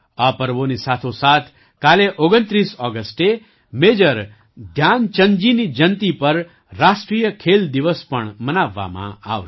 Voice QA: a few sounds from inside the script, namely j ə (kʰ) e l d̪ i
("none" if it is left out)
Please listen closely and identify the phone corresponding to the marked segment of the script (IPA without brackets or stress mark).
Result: kʰ